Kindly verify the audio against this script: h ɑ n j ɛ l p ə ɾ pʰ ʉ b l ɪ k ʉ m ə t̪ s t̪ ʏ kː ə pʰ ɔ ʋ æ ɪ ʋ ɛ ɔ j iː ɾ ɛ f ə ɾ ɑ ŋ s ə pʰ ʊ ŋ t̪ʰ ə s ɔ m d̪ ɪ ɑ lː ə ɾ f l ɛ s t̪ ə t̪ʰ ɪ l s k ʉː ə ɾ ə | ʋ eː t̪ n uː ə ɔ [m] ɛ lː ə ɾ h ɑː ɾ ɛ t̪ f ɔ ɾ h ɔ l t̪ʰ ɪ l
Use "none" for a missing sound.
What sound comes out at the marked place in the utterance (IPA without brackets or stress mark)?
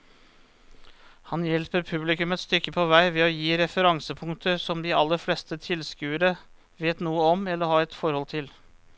m